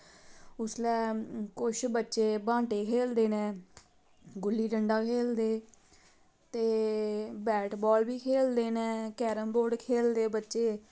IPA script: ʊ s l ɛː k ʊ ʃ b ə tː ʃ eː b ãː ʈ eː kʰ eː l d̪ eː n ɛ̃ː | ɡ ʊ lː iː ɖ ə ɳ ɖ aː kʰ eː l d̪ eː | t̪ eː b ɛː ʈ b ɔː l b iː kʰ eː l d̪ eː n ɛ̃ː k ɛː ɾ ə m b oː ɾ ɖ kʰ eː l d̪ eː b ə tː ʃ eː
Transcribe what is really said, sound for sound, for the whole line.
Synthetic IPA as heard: ʊ s l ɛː k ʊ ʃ b ə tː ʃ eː b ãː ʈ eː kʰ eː l d̪ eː n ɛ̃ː | ɡ ʊ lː iː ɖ ə ɳ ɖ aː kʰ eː l d̪ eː | t̪ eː b ɛː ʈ b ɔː l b iː kʰ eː l d̪ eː n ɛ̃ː k ɛː ɾ ə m b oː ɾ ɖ kʰ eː l d̪ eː b ə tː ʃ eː